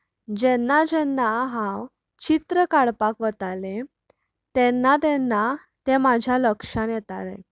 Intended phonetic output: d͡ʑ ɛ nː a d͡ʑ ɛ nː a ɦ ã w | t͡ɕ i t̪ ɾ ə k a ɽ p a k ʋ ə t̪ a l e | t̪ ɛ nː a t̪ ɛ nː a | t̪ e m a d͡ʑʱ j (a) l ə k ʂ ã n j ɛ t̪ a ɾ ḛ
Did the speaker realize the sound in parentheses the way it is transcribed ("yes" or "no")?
yes